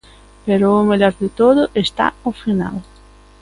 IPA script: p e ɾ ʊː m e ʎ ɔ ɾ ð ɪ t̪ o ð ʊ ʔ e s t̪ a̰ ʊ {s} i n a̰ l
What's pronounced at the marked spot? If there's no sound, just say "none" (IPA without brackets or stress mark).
f